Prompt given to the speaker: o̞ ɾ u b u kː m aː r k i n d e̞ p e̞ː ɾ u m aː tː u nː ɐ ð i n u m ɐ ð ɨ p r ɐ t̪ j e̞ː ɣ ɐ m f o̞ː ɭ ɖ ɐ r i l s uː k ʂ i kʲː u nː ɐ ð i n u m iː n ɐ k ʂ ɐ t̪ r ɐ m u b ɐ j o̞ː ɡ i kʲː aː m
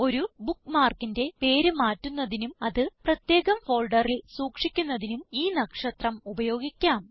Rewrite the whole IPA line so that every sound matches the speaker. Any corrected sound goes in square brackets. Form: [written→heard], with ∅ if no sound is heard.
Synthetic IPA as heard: o̞ ɾ u b u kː m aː r k i n d e̞ p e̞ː ɾ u m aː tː u nː ɐ ð i n u m ɐ ð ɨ p r ɐ t̪ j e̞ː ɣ ɐ m f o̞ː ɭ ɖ ɐ r i l s uː k ʂ i kʲː u nː ɐ ð i n u m iː n ɐ k ʂ ɐ t̪ r ɐ m u b ɐ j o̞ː ɡ i kʲː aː m